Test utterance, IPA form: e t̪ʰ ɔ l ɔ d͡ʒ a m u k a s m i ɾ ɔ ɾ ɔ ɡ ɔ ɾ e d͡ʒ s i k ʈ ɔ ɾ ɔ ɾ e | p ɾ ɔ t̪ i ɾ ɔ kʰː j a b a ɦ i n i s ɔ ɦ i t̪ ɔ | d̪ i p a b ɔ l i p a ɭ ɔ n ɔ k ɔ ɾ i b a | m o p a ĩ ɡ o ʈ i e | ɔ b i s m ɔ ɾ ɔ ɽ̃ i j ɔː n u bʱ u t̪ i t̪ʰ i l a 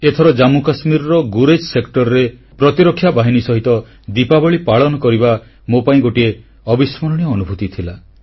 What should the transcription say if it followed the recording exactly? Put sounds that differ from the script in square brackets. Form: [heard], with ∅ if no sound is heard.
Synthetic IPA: e t̪ʰ ɔ [ɾ] ɔ d͡ʒ a m u k a s m i ɾ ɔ ɾ ɔ ɡ [u] ɾ e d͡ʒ s [e] k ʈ ɔ ɾ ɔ ɾ e | p ɾ ɔ t̪ i ɾ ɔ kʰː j a b a ɦ i n i s ɔ ɦ i t̪ ɔ | d̪ i p a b ɔ [ɭ] i p a ɭ ɔ n ɔ k ɔ ɾ i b a | m o p a ĩ ɡ o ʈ i e | ɔ b i s m ɔ ɾ ɔ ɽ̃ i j ɔː n u bʱ u t̪ i t̪ʰ i l a